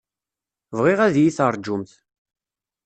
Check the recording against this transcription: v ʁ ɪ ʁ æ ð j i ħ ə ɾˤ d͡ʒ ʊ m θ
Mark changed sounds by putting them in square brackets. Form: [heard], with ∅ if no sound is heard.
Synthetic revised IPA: v ʁ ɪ ʁ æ ð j i [θ] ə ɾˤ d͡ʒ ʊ m θ